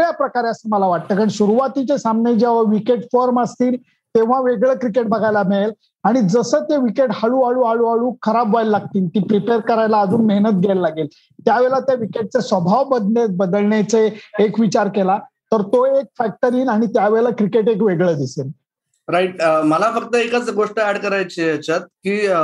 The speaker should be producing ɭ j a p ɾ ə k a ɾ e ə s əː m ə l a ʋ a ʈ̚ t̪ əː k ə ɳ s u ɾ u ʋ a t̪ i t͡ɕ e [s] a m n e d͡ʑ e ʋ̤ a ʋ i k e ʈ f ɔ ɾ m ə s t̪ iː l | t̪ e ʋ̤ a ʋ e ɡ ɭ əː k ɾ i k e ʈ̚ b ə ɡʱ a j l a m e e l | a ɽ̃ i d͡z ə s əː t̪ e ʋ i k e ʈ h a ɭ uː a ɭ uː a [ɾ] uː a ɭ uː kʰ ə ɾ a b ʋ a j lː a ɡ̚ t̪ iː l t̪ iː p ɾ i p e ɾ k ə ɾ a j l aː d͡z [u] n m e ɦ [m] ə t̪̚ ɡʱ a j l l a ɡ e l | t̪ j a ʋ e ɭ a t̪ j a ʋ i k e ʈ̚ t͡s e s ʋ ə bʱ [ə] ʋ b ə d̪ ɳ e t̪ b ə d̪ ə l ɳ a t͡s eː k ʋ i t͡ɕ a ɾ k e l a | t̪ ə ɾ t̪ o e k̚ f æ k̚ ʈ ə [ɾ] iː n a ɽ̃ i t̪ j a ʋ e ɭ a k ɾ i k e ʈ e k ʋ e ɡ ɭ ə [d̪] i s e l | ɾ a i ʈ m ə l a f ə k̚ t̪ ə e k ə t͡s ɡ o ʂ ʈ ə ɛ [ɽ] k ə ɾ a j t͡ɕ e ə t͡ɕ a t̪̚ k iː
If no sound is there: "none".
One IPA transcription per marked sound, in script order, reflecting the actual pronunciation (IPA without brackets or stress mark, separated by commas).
s, ɭ, uː, n, a, ɾ, d̪, ɽ